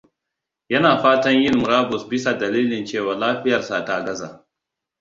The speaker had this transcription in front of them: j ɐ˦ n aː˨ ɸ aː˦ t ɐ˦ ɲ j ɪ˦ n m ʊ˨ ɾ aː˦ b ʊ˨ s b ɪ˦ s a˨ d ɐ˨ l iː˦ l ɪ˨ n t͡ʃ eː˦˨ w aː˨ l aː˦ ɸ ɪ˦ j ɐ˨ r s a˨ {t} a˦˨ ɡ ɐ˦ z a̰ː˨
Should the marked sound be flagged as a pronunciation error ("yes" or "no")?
no